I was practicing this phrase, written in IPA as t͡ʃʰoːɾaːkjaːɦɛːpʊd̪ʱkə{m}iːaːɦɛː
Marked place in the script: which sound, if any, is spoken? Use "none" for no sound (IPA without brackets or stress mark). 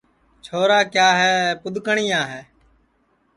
ɳ